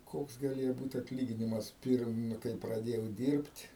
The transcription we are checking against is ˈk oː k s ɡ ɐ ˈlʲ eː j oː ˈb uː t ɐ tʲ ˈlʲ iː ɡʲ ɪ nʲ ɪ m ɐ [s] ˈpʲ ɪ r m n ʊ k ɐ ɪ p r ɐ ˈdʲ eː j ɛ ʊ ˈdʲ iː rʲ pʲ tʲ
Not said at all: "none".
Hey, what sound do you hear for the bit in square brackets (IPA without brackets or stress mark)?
s